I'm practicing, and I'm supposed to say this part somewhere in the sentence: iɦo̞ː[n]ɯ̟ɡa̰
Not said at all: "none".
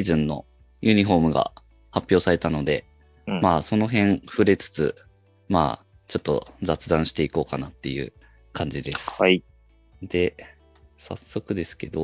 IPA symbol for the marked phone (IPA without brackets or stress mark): m